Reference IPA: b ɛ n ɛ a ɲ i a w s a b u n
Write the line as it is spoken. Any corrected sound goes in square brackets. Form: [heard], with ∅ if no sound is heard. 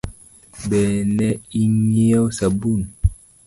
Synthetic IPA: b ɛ n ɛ [i] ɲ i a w s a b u n